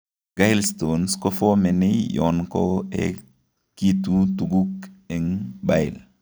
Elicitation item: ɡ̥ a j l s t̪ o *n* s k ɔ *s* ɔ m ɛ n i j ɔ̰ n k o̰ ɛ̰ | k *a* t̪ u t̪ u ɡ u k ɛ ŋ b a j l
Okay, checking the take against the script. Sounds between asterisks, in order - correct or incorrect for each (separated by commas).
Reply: correct, incorrect, incorrect